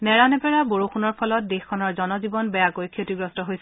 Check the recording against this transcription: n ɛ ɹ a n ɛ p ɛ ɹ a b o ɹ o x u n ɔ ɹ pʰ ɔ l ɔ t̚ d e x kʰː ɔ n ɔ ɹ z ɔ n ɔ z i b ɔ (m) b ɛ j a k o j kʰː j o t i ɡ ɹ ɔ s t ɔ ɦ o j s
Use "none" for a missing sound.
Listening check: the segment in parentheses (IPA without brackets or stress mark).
n